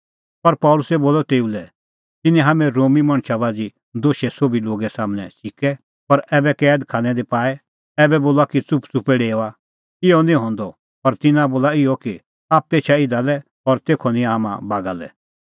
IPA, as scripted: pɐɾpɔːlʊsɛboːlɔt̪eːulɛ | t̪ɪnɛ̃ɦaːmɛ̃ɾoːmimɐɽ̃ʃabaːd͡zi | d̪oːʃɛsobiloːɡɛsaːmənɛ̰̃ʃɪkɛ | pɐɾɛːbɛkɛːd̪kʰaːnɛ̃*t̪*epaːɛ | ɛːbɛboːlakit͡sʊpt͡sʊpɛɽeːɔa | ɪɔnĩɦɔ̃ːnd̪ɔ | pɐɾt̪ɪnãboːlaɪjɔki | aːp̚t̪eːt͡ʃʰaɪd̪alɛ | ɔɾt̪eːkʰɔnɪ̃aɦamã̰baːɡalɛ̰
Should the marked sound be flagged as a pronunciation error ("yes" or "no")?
yes